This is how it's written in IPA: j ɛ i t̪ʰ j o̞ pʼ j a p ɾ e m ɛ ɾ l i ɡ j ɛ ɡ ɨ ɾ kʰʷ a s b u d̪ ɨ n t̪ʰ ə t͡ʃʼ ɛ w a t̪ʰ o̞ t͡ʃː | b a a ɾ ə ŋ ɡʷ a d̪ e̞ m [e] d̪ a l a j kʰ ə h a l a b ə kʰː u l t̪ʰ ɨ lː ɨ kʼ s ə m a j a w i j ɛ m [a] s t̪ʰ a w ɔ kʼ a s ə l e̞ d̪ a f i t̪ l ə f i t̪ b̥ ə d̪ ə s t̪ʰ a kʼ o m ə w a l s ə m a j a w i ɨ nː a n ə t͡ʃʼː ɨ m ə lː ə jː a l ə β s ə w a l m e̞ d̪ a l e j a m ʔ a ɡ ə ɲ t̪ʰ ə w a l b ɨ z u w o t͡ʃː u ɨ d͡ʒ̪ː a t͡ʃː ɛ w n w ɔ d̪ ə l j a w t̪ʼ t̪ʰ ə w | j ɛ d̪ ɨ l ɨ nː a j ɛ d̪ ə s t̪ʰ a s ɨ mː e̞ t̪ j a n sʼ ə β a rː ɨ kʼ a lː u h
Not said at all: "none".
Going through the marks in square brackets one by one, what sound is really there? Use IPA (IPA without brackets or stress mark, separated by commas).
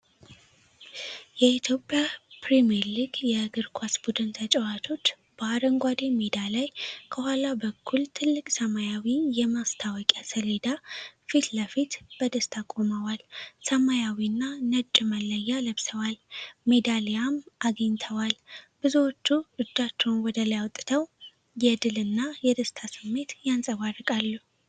e, a